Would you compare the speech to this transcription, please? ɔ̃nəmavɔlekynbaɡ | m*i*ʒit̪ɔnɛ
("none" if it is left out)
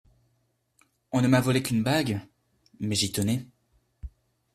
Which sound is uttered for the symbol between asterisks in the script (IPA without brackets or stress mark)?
ɛ